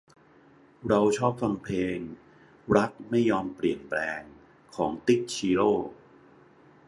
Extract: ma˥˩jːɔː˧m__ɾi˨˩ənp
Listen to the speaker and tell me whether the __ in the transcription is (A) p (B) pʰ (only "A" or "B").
A